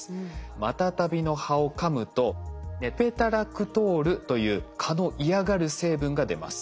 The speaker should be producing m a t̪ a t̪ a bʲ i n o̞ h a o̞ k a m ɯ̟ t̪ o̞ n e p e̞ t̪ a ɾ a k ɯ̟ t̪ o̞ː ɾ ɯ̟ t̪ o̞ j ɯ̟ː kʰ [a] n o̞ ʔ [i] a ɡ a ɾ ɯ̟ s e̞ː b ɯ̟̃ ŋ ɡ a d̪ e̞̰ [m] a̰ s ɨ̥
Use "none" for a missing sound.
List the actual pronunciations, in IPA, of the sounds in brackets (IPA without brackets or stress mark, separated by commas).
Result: a, i, m